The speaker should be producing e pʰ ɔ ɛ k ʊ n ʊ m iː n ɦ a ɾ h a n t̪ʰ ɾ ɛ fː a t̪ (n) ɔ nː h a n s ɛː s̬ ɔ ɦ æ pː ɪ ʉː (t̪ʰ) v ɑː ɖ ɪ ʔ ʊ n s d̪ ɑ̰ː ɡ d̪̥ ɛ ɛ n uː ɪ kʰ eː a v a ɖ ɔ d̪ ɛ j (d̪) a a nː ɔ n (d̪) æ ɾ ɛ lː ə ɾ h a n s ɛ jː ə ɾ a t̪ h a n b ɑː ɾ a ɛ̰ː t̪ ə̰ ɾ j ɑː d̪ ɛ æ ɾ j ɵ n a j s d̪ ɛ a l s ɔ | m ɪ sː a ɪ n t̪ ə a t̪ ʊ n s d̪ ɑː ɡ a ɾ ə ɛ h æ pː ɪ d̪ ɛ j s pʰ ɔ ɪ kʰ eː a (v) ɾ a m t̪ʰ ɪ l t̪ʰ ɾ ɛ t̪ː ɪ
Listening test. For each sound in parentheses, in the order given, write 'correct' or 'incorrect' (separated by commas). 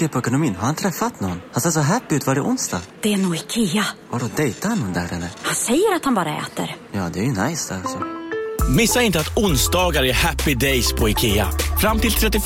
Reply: correct, incorrect, incorrect, correct, incorrect